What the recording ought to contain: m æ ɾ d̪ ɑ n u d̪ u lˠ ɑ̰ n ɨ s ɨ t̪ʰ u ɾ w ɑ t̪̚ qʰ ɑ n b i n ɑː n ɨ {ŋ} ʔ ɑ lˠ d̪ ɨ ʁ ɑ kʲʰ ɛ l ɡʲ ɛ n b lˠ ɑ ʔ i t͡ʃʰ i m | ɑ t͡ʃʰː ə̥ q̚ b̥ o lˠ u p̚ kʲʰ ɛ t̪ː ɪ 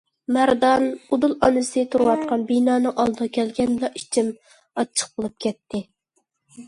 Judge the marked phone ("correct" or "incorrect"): correct